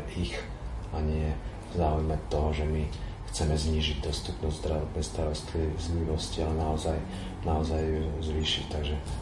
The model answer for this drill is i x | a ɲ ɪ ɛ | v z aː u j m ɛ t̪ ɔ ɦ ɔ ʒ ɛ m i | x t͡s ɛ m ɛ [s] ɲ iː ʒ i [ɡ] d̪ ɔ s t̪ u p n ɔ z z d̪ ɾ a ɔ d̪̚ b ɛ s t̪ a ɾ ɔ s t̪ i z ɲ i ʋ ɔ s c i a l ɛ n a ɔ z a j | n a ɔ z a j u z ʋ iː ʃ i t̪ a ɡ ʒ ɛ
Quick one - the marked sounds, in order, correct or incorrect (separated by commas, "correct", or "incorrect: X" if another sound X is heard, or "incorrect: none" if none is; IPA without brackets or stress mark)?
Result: incorrect: z, incorrect: ɟ